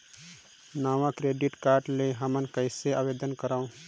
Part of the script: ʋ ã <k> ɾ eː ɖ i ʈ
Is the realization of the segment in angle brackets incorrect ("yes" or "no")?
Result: no